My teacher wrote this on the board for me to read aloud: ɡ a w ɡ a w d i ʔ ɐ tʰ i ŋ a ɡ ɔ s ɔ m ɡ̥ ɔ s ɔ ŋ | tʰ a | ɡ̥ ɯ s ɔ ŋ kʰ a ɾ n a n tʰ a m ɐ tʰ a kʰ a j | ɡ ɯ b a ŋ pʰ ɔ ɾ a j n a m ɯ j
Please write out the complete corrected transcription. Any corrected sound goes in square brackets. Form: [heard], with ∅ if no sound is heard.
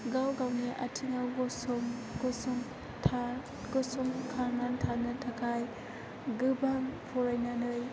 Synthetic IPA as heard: ɡ a w ɡ a w [n] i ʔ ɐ tʰ i ŋ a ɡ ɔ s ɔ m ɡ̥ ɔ s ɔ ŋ | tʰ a | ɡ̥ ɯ s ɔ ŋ kʰ a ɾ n a n tʰ a [n] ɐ tʰ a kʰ a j | ɡ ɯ b a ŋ pʰ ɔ ɾ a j n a [n] ɯ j